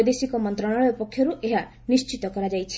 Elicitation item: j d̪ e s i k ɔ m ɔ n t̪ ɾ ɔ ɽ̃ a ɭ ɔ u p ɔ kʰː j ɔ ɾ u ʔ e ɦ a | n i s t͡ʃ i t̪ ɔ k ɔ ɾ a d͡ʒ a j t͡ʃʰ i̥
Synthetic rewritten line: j d̪ e s i k ɔ m ɔ n t̪ ɾ ɔ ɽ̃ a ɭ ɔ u p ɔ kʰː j ɔ ɾ u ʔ e ɦ a | n i s t͡ʃ i t̪ ɔ k ɔ ɾ a d͡ʒ a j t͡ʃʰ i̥